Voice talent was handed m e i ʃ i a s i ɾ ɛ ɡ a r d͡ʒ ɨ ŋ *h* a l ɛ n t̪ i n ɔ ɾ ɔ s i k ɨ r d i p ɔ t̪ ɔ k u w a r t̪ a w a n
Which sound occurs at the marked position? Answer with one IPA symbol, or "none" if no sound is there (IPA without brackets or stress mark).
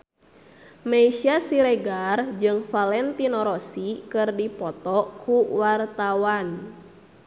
f